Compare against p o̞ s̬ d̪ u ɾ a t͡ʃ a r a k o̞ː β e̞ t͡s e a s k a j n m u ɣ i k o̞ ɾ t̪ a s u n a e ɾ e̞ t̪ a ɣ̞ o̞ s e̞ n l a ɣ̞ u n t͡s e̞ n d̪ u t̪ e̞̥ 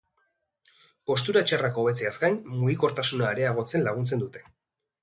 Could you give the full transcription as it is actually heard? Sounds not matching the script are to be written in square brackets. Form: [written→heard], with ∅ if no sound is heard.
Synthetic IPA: p o̞ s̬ [d̪→t̪] u ɾ a t͡ʃ a r a k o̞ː β e̞ t͡s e a s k a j n m u ɣ i k o̞ ɾ t̪ a s u n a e ɾ e̞ [t̪→∅] a ɣ̞ o̞ [s→t͡s] e̞ n l a ɣ̞ u n t͡s e̞ n d̪ u t̪ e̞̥